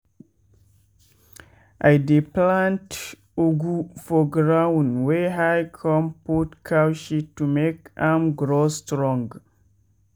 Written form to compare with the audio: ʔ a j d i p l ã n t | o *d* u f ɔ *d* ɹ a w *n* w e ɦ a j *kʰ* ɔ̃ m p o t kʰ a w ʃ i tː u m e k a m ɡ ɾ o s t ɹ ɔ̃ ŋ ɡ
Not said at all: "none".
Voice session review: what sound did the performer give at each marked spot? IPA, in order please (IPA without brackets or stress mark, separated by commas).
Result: ɡ, ɡ, n, kʰ